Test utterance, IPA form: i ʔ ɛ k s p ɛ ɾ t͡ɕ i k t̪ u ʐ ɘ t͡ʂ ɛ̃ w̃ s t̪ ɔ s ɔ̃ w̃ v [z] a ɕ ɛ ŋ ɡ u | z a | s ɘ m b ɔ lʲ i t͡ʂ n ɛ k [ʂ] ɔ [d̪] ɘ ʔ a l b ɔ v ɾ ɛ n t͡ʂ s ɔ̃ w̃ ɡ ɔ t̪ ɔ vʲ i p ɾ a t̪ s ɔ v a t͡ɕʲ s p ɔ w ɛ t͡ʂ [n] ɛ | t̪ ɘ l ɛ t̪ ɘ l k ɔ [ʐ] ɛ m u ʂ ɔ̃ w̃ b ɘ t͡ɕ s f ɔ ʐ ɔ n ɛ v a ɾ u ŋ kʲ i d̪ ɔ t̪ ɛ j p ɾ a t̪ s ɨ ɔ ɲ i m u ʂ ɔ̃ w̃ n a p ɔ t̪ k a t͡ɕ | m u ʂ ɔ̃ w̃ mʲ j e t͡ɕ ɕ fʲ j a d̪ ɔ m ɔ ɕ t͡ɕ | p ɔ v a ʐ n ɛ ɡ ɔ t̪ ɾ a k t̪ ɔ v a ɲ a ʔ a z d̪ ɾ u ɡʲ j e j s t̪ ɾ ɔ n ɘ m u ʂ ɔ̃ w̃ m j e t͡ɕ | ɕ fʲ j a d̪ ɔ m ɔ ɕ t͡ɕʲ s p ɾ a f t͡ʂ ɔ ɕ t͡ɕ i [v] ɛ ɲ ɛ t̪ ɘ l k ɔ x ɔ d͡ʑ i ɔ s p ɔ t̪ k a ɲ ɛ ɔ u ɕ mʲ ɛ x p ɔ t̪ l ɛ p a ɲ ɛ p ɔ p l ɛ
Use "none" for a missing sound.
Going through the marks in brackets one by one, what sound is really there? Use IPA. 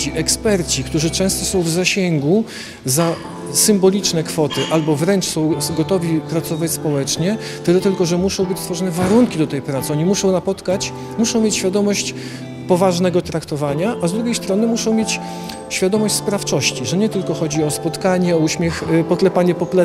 z, f, t̪, ɲ, ʐ, ʐ

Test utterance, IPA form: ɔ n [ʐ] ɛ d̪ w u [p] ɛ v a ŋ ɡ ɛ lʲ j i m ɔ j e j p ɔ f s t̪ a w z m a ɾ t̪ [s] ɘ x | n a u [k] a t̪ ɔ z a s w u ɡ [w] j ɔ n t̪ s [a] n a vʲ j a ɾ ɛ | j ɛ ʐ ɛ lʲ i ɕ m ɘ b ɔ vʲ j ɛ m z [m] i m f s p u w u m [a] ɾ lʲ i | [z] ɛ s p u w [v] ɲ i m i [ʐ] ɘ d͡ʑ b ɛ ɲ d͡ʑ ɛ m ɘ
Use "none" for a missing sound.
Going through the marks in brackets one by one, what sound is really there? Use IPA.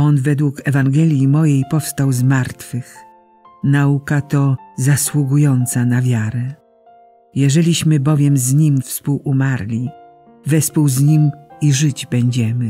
v, k, f, k, u, a, ɲ, a, v, z, ʐ

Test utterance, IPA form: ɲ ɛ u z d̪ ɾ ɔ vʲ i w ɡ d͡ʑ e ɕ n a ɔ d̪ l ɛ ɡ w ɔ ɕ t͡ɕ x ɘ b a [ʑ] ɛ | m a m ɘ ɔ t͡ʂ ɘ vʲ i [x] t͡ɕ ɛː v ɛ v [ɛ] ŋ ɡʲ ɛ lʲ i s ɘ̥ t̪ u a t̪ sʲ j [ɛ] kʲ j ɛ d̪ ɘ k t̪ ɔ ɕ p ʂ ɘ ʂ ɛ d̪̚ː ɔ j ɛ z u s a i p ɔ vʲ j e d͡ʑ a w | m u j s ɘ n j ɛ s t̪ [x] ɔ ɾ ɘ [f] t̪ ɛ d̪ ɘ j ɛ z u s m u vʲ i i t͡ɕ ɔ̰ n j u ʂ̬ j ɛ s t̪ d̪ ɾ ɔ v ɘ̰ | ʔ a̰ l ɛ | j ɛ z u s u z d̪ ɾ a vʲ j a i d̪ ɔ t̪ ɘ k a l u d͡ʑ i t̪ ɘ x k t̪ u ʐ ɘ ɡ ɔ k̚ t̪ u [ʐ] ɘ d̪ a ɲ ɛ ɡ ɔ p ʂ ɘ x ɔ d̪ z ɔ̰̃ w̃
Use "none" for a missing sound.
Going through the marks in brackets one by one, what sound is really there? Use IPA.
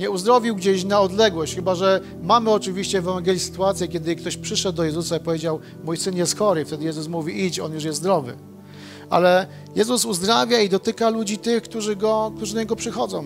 ʐ, ɕ, a, ɛ, x, f, ʐ

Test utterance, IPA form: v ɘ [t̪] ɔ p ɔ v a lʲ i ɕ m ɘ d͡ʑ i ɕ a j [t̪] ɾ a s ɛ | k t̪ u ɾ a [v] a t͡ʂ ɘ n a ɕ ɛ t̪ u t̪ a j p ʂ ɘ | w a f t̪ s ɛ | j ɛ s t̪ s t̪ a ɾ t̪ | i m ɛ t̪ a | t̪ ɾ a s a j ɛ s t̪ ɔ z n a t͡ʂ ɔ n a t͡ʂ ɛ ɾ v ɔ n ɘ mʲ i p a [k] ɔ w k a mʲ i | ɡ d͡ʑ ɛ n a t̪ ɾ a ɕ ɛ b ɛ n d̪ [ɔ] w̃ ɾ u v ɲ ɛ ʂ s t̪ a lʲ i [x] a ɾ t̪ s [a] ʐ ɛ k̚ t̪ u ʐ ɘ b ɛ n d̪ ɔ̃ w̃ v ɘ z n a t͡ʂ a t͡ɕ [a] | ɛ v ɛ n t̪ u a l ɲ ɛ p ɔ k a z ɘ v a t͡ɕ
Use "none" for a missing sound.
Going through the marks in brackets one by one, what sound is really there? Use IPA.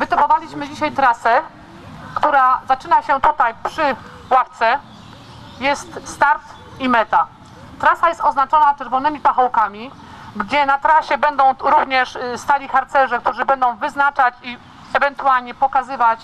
t̪, t̪, z, x, ɔ̃, x, ɛ, i

